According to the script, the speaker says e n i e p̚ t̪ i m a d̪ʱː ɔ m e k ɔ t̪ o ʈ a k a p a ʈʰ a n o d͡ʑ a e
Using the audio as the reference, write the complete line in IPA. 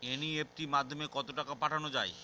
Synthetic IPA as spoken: e n i e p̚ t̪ i m a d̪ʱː o m e k ɔ t̪ o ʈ a k a p a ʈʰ a n o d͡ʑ a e